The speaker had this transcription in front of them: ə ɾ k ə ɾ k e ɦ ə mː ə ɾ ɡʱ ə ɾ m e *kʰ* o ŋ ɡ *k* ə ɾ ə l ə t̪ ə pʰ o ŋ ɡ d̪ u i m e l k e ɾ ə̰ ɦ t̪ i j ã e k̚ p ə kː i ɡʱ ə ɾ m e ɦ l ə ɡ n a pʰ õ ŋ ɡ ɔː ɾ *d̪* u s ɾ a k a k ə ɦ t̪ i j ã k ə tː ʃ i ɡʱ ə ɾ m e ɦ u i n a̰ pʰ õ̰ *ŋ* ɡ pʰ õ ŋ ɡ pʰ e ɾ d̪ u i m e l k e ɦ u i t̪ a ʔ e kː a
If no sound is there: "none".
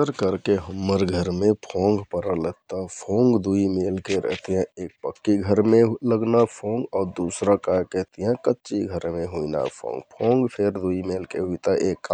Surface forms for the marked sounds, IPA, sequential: pʰ, p, d̪, ŋ

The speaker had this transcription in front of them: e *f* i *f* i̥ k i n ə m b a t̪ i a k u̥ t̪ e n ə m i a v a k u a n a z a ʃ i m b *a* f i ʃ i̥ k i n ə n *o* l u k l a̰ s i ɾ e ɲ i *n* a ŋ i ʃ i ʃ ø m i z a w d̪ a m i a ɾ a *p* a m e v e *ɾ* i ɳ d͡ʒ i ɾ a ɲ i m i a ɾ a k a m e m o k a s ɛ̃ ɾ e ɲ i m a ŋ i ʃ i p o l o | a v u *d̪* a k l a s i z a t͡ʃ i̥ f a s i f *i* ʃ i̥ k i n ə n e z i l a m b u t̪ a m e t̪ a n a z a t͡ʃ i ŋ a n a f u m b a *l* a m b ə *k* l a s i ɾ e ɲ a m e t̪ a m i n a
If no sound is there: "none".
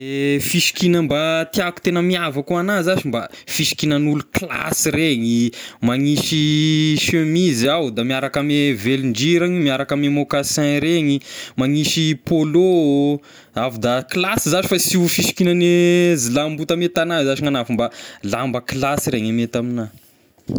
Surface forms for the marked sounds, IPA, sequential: f, ʃ, a, u, m, k, l, d̪, i, l, k

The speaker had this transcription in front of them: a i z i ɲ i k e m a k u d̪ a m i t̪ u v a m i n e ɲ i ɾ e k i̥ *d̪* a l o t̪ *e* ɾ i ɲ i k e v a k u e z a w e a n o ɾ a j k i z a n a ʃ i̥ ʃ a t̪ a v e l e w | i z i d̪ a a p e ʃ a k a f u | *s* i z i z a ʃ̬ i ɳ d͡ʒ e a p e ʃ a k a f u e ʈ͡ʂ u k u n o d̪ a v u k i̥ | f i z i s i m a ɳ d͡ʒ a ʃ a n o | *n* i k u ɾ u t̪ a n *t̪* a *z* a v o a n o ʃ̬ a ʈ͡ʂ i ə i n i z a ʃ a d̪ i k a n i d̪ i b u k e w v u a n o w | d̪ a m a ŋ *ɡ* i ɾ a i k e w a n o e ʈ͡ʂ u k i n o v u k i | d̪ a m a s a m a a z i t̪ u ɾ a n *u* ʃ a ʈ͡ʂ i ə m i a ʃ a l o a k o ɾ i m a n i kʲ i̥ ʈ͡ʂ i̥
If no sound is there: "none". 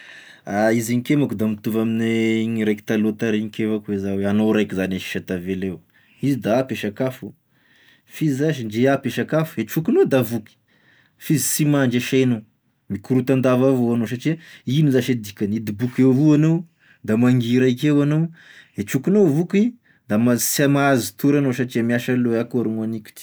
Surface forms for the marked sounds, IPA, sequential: t̪, a, f, m, d̪, v, ɡ, o

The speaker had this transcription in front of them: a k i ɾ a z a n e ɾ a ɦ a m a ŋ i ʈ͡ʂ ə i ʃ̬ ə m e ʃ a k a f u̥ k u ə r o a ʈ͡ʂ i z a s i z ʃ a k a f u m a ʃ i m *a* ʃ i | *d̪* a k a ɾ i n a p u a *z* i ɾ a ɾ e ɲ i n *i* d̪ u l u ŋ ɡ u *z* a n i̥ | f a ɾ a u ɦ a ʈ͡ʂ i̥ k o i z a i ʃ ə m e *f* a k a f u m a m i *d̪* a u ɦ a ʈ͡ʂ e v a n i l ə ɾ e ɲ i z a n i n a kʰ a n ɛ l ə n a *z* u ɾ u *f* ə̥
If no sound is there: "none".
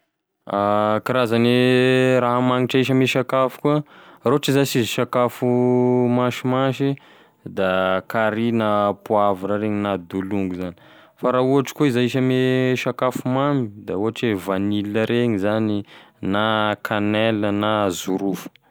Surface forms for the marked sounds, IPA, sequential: a, d̪, v, a, z, ʃ, d̪, z, f

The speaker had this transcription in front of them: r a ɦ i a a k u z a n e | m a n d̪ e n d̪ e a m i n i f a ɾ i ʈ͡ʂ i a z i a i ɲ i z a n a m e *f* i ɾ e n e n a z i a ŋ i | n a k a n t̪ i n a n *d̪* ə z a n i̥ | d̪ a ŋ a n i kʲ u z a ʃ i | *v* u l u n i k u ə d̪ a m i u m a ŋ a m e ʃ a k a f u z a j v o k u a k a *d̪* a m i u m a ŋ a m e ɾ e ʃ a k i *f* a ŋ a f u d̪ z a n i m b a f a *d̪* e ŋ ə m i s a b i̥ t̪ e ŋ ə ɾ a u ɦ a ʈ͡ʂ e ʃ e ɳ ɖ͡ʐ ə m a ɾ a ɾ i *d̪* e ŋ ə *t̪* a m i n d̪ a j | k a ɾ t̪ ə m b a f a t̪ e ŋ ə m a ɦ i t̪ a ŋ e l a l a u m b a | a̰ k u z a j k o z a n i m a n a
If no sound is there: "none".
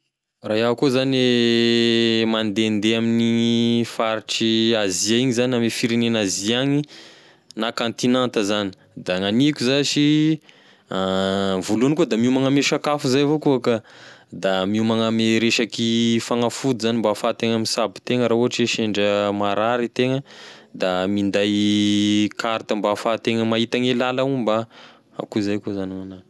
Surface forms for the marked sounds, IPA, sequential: f, t̪, v, d̪, f, t̪, t̪, d̪

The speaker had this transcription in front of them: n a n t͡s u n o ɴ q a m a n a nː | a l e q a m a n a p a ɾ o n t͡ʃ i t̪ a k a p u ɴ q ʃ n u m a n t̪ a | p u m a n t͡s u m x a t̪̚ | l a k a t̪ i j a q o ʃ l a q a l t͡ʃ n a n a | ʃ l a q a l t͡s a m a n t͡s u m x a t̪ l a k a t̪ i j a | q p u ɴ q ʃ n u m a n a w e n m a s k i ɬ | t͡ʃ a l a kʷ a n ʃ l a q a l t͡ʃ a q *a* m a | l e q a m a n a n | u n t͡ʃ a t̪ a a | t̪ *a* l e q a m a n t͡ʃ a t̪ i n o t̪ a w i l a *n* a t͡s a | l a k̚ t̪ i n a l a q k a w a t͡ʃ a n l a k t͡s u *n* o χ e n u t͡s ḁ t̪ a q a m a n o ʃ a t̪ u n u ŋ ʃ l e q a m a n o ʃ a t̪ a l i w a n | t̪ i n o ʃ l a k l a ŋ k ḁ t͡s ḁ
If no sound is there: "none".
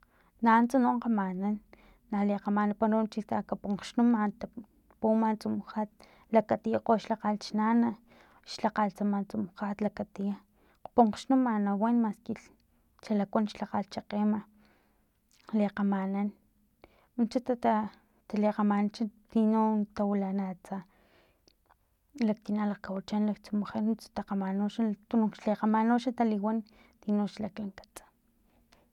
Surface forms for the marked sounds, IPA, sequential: e, a, n, m

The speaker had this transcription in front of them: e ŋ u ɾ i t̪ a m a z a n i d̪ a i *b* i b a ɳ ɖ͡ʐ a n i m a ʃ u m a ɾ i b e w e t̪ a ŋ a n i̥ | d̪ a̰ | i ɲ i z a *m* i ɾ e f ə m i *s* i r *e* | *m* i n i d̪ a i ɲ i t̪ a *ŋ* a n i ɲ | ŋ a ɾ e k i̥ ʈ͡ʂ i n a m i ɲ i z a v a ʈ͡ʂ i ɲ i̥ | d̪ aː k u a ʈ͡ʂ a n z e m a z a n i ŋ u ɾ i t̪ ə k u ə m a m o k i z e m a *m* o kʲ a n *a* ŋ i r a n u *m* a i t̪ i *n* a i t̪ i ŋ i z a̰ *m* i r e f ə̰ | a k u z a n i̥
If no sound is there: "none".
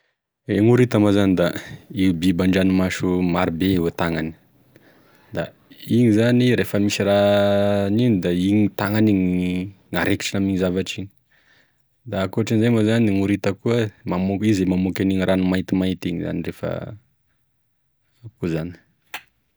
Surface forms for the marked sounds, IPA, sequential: b, n, s, a, n, ŋ, m, i, m, m, n

